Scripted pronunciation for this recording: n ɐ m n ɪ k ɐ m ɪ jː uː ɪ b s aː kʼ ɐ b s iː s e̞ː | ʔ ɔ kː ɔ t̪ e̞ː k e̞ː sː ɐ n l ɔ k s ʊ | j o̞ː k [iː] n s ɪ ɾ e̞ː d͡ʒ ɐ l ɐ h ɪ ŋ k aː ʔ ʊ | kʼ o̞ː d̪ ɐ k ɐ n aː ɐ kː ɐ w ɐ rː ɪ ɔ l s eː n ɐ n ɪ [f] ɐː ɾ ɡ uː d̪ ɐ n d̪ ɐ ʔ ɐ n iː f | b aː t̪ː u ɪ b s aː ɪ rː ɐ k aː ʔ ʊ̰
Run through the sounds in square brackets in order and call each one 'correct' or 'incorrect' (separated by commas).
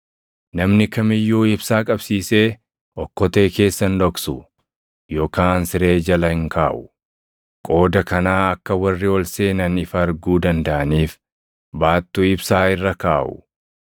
incorrect, correct